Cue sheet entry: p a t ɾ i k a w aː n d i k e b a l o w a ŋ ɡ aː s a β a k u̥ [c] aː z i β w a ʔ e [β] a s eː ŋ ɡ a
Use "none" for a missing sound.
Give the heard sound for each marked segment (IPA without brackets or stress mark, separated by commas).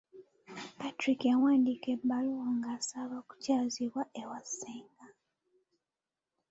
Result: c, w